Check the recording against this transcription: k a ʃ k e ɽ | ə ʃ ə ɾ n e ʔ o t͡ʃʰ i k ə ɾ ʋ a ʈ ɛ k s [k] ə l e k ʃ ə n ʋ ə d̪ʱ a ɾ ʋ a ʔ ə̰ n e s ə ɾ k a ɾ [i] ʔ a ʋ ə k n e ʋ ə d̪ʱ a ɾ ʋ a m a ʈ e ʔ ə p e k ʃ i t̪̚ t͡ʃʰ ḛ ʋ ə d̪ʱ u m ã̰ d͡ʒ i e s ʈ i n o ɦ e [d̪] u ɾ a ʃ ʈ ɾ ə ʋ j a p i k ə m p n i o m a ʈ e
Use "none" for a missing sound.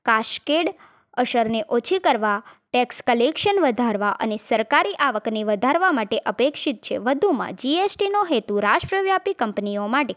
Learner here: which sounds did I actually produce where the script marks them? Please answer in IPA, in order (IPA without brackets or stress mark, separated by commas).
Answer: k, i, t̪